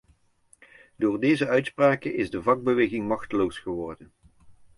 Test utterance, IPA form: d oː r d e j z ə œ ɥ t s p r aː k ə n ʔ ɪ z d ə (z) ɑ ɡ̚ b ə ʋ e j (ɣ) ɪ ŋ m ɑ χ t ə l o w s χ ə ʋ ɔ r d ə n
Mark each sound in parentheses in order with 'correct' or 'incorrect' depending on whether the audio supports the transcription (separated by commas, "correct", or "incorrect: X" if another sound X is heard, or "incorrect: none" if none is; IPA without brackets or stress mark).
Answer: incorrect: v, correct